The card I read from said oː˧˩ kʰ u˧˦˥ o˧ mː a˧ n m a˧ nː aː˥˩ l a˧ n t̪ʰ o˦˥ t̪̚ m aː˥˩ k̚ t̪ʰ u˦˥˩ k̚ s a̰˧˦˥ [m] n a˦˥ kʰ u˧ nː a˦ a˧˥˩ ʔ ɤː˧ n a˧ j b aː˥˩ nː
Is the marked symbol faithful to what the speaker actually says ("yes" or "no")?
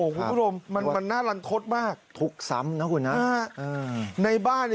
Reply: yes